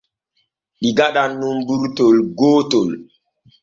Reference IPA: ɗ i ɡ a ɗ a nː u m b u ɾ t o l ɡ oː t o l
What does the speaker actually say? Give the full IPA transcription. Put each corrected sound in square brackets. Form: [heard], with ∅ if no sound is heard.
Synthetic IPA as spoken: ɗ i ɡ a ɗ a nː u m b u ɾ t o l ɡ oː t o l